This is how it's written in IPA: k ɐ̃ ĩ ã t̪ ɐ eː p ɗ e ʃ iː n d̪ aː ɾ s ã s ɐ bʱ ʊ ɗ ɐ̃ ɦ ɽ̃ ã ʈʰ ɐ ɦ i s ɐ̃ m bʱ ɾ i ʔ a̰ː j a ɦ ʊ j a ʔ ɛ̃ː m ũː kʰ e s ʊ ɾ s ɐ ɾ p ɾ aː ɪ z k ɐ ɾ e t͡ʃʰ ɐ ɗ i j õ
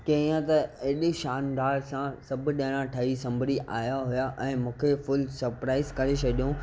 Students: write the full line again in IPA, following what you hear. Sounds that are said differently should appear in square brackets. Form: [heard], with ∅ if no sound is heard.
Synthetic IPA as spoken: k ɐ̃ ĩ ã t̪ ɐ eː [∅] ɗ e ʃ [aː] n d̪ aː ɾ s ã s ɐ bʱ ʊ ɗ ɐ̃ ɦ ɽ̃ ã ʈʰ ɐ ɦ i s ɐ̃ m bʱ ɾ i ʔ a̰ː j a ɦ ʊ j a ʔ ɛ̃ː m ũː kʰ e [f] ʊ [l] s ɐ ɾ p ɾ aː ɪ z k ɐ ɾ e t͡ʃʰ ɐ ɗ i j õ